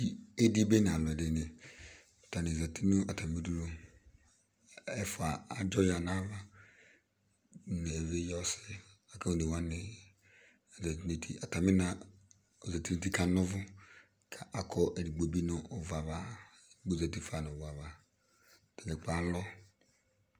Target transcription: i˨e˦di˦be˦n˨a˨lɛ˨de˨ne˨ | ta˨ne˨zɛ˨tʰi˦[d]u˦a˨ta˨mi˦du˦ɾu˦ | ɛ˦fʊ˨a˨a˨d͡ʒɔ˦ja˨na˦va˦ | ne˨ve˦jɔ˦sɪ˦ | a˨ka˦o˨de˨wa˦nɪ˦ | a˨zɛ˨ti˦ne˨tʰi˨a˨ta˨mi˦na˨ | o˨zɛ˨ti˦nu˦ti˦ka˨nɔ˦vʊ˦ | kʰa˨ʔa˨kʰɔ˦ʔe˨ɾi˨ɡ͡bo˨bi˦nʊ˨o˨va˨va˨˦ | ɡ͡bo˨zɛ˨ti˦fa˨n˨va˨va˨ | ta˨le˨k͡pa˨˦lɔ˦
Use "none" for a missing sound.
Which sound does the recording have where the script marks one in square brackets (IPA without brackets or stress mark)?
n